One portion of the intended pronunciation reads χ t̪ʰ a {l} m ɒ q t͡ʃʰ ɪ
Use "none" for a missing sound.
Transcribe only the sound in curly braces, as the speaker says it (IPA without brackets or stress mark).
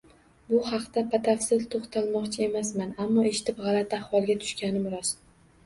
l